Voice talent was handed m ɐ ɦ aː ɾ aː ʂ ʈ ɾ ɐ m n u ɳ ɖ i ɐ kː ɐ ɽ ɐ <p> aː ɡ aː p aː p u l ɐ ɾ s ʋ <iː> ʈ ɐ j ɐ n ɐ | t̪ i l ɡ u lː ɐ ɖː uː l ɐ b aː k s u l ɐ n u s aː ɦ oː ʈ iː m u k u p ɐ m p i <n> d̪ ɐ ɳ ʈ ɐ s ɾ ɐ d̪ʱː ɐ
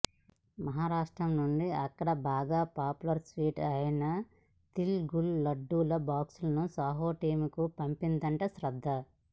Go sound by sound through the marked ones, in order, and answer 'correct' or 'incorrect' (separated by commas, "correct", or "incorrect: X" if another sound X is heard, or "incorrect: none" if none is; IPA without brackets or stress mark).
incorrect: b, correct, correct